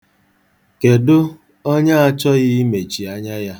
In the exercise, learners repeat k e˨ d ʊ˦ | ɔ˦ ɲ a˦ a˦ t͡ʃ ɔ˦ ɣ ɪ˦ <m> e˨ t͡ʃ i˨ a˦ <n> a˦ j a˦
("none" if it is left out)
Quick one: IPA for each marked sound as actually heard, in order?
m, ɲ

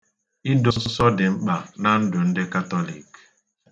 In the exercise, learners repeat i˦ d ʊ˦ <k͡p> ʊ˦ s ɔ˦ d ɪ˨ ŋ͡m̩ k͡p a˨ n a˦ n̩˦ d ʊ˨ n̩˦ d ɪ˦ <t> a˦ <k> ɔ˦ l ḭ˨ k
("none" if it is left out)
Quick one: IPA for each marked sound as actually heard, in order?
none, k, t

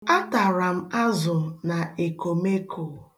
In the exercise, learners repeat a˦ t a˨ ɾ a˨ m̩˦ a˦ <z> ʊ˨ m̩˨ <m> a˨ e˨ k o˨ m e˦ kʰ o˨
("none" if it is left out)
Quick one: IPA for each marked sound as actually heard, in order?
z, n

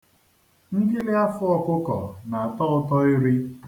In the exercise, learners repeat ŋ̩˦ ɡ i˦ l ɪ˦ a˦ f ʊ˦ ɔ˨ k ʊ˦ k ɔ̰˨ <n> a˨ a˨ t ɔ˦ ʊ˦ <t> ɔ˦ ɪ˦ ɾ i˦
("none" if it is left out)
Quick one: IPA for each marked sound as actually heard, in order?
n, t

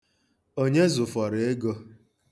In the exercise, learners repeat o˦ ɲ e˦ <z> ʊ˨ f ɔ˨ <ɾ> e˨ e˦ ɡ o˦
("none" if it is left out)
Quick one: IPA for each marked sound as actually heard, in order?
z, ɾ

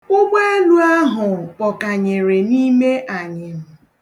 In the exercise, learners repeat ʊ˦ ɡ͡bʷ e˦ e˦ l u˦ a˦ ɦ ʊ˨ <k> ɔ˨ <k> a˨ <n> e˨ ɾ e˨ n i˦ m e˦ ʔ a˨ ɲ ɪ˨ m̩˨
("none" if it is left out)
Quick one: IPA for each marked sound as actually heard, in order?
p, k, ɲ

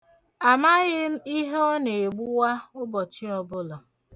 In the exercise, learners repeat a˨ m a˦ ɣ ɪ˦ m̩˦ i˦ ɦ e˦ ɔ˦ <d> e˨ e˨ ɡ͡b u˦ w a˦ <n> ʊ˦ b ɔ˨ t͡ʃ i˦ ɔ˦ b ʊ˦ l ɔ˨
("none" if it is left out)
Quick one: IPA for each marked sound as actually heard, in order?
n, none

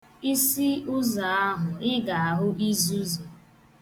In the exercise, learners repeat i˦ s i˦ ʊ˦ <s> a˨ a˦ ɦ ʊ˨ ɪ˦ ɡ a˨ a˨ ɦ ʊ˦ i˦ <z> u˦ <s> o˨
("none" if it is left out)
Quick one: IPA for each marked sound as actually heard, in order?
z, z, z

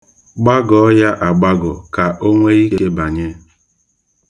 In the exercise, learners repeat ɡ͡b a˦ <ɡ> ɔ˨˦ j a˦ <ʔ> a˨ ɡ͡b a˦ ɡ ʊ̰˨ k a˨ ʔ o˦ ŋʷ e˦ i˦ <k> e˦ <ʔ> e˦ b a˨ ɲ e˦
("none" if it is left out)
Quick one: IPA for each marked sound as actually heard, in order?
ɡ, ʔ, k, none

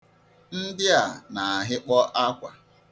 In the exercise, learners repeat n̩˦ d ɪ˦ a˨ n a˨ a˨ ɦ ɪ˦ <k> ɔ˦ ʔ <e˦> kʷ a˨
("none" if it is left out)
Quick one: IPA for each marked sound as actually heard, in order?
k͡p, a˦

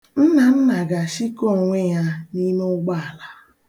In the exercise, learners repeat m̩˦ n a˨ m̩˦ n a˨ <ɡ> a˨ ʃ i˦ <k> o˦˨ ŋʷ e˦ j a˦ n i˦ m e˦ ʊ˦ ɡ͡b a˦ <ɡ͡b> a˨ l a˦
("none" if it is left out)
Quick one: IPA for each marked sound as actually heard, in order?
ɡ, k, none

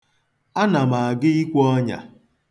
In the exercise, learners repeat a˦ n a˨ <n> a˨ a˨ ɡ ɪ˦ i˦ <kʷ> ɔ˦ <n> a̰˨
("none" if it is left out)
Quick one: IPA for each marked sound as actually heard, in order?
m, kʷ, ɲ

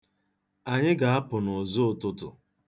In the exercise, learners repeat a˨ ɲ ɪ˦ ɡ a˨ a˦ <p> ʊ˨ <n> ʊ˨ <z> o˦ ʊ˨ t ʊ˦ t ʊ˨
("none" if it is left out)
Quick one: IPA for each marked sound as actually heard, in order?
p, n, z

